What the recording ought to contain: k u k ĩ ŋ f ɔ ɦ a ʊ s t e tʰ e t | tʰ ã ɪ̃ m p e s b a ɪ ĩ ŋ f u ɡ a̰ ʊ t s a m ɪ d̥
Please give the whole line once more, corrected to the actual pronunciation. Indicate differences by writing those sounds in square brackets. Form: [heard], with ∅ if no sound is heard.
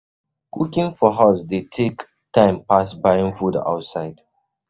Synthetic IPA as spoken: k u k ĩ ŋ f ɔ ɦ a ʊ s [d] e tʰ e [k] | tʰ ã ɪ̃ m p [a] s b a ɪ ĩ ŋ f u [d] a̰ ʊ t s a [∅] ɪ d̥